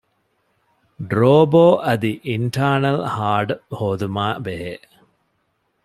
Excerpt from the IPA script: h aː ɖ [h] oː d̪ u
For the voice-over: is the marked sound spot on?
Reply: yes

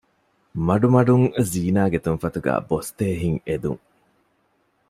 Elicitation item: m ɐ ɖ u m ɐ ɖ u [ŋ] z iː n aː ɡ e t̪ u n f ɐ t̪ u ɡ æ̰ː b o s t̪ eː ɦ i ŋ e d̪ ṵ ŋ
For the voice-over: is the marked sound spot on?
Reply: yes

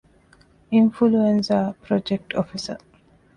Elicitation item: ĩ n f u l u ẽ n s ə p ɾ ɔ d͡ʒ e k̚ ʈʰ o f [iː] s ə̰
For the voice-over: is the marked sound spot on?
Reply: no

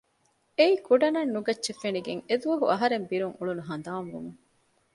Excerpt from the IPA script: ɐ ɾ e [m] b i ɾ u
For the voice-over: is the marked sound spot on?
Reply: yes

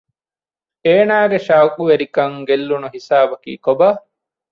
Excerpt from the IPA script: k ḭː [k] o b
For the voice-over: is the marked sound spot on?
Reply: yes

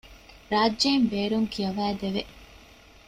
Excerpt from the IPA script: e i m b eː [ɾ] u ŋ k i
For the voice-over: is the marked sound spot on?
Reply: yes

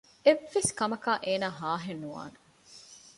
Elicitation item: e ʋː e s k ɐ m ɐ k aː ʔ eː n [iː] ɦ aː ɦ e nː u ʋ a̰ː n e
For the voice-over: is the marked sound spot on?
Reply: no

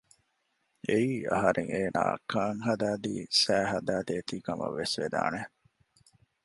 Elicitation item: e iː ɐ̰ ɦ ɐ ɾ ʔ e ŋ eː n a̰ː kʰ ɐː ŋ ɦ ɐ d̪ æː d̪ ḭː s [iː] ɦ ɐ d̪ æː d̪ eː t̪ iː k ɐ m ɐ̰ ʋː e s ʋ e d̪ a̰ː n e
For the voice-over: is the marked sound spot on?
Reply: no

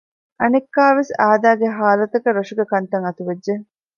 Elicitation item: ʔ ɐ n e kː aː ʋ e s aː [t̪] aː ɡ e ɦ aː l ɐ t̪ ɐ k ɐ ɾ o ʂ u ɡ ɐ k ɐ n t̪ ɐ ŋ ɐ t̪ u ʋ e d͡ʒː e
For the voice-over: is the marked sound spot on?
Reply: no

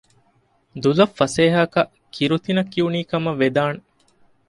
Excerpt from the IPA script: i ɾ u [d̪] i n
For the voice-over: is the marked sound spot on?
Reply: no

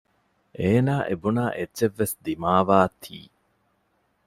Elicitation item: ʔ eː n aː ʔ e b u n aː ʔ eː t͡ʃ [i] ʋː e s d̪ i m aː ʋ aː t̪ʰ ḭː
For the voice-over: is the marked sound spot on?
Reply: no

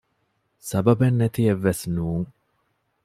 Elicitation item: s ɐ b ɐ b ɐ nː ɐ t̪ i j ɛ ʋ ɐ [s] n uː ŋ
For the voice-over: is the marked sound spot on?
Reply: yes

